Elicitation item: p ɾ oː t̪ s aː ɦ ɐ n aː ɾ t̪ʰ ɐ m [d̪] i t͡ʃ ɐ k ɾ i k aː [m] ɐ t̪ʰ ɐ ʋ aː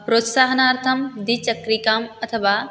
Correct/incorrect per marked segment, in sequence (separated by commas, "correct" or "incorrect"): correct, correct